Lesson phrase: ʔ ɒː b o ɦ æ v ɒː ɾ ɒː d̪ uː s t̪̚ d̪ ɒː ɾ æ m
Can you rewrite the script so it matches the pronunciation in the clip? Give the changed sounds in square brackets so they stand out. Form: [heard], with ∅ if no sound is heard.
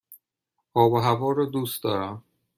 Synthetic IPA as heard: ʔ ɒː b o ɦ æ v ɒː ɾ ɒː d̪ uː s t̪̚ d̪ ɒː ɾ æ m